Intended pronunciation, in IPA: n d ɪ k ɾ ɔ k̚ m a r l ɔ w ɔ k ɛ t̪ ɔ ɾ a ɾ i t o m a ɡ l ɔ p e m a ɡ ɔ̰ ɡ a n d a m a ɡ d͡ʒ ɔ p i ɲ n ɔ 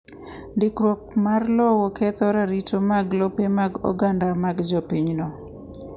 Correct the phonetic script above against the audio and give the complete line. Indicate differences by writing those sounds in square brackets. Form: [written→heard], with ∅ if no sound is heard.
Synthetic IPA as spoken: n d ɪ k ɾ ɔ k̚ m a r l ɔ w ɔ k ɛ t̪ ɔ ɾ a ɾ i t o m a ɡ l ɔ p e m a ɡ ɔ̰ ɡ a n d a m a ɡ d͡ʒ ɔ p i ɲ n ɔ

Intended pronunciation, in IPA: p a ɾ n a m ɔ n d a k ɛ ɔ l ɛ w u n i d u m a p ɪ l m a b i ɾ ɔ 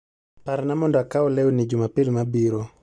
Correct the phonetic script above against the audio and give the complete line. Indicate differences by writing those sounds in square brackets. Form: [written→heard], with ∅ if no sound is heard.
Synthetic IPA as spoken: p a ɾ n a m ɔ n d a k [ɛ→a] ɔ l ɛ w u n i [d→d͡ʒ] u m a p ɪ l m a b i ɾ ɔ

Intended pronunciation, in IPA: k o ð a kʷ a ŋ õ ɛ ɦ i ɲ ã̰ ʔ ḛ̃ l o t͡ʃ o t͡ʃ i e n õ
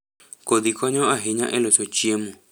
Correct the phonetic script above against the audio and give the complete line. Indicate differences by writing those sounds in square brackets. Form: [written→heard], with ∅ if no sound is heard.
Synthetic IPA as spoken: k o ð [a→i] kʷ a [ŋ→ɲ] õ [ɛ→a] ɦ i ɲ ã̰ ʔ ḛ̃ l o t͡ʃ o t͡ʃ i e [n→m] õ

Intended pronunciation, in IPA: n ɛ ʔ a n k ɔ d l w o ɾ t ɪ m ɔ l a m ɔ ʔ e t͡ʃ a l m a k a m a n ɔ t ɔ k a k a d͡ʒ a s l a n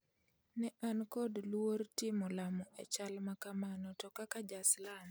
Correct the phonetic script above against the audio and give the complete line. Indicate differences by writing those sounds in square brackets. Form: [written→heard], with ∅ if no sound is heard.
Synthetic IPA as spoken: n ɛ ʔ a n k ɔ d l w o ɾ t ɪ m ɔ l a m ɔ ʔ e t͡ʃ a l m a k a m a n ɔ t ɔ k a k a d͡ʒ a s l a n

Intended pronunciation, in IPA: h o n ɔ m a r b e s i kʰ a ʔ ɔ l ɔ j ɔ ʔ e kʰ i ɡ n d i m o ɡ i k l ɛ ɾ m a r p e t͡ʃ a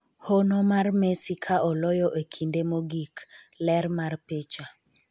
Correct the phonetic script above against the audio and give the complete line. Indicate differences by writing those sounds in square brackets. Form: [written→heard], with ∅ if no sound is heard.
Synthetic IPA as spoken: h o n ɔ m a r [b→m] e s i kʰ a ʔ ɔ l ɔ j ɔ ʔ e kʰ i [ɡ→∅] n d [i→e] m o ɡ i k l ɛ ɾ m a r p e t͡ʃ a

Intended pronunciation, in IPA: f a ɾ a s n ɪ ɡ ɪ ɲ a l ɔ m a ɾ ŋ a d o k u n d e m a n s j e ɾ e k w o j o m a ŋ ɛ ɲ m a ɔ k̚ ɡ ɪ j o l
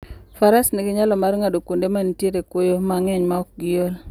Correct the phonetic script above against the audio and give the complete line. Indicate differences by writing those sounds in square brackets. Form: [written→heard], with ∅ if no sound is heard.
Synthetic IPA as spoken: f a ɾ a s n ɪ ɡ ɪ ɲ a l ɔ m a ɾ ŋ a d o k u n d e m a n [s→t] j e ɾ e k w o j o m a ŋ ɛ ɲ m a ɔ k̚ ɡ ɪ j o l

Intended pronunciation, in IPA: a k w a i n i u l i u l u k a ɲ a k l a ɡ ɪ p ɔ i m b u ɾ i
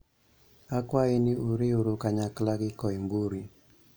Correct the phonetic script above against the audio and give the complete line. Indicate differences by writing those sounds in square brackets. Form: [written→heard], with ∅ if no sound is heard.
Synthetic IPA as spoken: a k w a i n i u [l→ɾ] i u [l→ɾ] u k a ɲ a k l a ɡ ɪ [p→k] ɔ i m b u ɾ i

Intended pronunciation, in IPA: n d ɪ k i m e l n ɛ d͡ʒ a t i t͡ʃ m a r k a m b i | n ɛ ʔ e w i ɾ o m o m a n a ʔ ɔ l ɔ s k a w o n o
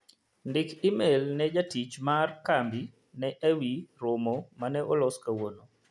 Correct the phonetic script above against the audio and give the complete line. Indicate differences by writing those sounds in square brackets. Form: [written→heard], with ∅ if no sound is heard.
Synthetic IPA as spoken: n d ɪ k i m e l n ɛ d͡ʒ a t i t͡ʃ m a r k a m b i | n ɛ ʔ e w i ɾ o m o m a n [a→ɛ] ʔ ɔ l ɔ s k a w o n o

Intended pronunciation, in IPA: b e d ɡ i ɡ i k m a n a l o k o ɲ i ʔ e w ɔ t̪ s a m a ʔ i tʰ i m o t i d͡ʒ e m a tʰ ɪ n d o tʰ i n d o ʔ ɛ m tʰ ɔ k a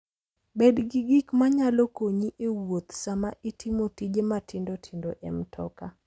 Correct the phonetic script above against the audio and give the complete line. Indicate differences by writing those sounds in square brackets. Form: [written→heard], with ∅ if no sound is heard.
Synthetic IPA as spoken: b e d ɡ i ɡ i k m a [n→ɲ] a l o k o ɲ i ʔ e w [ɔ→o] t̪ s a m a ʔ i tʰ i m o t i d͡ʒ e m a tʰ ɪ n d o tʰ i n d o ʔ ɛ m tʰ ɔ k a

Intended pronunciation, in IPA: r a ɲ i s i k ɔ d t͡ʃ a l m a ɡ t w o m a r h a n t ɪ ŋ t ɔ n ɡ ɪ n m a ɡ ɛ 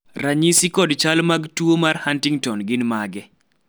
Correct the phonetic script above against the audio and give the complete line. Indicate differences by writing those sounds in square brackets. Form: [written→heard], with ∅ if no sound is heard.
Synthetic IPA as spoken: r a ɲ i s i k ɔ d t͡ʃ a l m a ɡ t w o m a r h a n t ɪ ŋ t ɔ n ɡ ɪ n m a ɡ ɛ

